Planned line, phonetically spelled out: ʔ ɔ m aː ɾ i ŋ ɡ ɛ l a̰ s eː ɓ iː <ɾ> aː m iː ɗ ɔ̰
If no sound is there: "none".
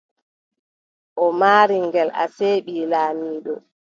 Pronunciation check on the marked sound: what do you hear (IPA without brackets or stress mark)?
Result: l